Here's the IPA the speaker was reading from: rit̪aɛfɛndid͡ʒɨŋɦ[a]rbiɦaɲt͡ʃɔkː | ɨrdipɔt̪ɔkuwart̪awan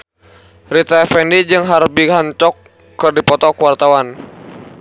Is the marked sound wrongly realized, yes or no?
no